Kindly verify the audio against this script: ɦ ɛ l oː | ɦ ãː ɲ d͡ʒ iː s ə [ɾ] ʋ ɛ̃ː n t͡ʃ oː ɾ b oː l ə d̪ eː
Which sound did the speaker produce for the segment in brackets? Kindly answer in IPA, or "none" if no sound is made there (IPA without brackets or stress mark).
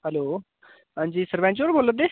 ɾ